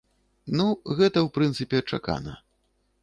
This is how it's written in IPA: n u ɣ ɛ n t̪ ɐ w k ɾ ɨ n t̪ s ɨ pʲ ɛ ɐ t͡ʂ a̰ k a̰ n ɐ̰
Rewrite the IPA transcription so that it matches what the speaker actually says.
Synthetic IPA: n u ɣ ɛ t̪ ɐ w p ɾ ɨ n t̪ s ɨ pʲ ɛ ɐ t͡ʂ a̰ k a̰ n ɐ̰